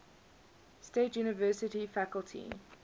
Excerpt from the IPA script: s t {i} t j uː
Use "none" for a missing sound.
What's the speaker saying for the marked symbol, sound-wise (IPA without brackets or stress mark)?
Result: e